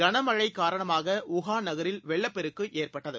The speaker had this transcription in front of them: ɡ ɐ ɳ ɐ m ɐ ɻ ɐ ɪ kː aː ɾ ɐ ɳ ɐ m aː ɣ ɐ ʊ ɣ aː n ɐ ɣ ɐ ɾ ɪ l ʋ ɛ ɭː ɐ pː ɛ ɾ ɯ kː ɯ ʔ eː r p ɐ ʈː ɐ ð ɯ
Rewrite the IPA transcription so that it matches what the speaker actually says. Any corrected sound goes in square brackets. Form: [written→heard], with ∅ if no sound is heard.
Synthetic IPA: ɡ ɐ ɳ ɐ m ɐ ɻ ɐ ɪ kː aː ɾ ɐ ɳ ɐ m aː ɣ ɐ ʊ ɣ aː n ɐ ɣ ɐ ɾ ɪ l ʋ ɛ ɭː ɐ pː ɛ ɾ ɯ kː ɯ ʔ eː r p ɐ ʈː ɐ ð ɯ